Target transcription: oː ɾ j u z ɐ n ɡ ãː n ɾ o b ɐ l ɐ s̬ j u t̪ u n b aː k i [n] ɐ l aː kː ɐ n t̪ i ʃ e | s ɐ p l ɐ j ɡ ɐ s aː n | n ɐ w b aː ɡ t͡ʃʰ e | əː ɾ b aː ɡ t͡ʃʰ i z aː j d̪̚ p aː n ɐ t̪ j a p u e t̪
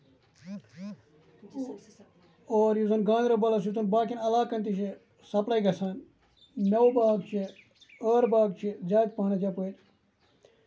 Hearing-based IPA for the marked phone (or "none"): n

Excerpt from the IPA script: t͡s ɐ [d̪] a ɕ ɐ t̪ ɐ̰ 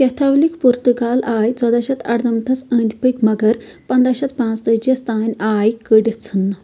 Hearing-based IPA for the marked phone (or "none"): d̪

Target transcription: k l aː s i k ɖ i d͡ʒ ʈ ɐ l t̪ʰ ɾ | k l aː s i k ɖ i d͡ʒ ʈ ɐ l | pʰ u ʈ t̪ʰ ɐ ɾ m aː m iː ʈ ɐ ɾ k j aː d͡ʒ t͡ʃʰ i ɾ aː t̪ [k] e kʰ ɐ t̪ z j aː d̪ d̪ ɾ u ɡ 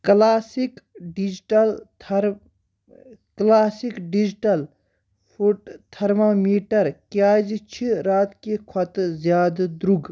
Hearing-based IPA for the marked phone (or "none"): k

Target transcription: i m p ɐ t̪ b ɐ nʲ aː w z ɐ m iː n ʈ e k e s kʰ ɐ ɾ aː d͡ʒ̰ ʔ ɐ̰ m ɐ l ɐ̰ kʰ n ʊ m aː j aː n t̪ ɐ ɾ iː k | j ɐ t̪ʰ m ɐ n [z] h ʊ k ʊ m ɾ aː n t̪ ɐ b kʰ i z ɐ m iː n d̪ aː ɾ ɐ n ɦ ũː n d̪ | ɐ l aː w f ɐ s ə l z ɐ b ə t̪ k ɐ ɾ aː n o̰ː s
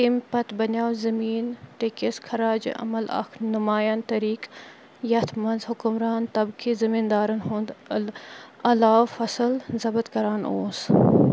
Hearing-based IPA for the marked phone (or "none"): z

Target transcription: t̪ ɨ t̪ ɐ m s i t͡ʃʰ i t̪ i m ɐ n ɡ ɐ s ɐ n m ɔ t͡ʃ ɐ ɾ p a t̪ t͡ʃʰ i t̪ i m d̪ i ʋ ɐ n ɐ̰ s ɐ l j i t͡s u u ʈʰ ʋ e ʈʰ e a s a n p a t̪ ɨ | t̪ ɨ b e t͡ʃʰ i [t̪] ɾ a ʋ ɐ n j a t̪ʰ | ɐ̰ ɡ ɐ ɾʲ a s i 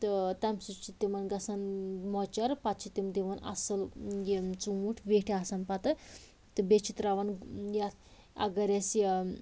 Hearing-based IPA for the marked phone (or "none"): t̪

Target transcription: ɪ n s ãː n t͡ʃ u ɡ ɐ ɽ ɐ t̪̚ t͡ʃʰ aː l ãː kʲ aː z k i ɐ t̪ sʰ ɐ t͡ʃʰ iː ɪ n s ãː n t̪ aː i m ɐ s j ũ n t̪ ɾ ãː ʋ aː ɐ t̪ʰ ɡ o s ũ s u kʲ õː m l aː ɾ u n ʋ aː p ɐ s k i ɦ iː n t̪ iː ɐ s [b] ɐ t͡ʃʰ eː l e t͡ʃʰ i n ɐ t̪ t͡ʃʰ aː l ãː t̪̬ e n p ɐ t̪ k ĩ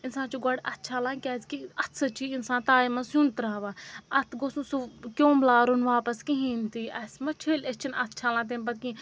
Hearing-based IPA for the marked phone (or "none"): m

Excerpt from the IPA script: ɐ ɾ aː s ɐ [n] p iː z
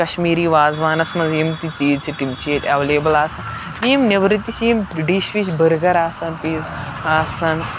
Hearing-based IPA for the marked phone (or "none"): n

